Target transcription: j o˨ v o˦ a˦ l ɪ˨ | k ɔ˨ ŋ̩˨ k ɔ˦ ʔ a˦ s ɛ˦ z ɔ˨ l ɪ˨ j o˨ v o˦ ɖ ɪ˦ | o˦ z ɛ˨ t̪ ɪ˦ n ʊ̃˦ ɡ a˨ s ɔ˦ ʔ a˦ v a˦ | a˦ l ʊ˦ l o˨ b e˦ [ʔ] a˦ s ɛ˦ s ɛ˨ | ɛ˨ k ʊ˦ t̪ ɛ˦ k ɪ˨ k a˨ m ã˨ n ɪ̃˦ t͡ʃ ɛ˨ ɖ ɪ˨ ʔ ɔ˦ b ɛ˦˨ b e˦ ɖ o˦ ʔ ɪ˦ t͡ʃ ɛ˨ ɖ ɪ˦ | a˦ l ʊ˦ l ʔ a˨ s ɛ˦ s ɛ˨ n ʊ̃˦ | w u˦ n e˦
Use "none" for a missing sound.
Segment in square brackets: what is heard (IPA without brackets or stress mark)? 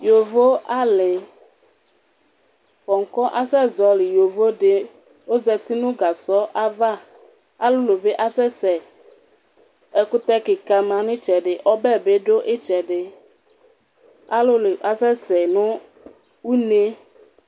ʔ